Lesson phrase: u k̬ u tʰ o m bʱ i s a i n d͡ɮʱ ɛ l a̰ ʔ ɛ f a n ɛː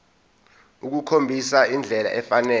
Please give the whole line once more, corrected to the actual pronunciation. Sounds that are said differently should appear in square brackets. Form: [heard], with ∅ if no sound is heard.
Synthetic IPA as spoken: u k̬ u [kʰ] o m bʱ i s a i n d͡ɮʱ ɛ l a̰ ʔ ɛ f a n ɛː